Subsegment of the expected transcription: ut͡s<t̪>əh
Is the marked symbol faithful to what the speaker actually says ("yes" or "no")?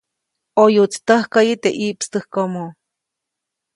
yes